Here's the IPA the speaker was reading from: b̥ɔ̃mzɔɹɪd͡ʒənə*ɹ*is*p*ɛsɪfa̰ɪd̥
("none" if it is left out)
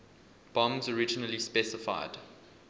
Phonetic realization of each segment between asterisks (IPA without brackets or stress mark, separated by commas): l, p